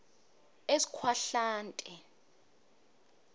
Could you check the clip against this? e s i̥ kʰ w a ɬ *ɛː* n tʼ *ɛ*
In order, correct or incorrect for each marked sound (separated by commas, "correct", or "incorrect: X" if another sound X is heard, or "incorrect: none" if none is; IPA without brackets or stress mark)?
incorrect: aː, correct